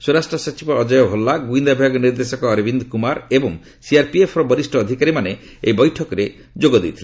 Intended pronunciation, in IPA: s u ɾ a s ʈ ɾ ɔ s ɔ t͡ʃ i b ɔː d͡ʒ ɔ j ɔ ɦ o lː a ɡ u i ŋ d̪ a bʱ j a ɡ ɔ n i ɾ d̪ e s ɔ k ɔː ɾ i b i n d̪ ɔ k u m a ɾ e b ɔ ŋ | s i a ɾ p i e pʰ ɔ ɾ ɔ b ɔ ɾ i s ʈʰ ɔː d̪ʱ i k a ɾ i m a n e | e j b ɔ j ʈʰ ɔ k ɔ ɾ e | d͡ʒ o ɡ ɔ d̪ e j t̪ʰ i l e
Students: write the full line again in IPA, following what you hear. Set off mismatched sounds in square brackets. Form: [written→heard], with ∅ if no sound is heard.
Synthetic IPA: s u ɾ a s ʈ ɾ ɔ s ɔ t͡ʃ i b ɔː d͡ʒ ɔ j ɔ ɦ o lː a ɡ u i [ŋ→n] d̪ a bʱ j a ɡ ɔ n i ɾ d̪ e s ɔ k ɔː ɾ i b i n d̪ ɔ k u m a ɾ e b ɔ ŋ | s i a ɾ p i e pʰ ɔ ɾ ɔ b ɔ ɾ i s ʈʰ ɔː d̪ʱ i k a ɾ i m a n e | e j b ɔ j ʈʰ ɔ k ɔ ɾ e | d͡ʒ o ɡ ɔ d̪ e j t̪ʰ i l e